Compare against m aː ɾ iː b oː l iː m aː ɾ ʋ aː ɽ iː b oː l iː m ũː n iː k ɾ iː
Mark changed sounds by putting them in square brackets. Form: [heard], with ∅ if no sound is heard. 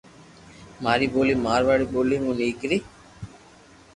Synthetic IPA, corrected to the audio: m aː ɾ iː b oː l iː m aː ɾ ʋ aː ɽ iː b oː l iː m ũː n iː k ɾ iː